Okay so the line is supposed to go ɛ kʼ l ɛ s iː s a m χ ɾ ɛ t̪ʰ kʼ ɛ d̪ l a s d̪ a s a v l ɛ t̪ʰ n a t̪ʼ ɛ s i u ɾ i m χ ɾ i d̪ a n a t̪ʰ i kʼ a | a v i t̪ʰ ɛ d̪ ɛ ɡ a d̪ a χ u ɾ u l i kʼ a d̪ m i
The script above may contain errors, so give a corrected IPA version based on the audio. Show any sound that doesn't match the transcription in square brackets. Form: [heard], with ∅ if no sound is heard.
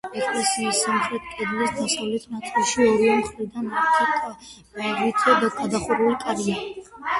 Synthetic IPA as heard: ɛ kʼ l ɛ s iː s a m χ ɾ ɛ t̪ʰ kʼ ɛ d̪ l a s d̪ a s a v l ɛ t̪ʰ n a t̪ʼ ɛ [ʃ] i [ɔ] ɾ i m χ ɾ i d̪ a n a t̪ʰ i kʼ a | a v i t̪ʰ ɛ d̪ [a] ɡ a d̪ a χ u ɾ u l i kʼ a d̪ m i